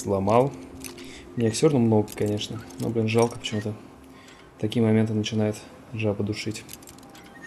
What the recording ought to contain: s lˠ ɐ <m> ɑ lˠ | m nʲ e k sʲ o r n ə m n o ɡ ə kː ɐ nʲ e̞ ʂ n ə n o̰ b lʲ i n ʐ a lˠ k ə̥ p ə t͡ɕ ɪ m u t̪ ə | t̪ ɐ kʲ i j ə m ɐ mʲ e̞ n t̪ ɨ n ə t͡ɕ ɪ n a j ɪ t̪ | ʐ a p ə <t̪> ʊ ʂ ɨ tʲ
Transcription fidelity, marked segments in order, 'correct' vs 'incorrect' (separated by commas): correct, incorrect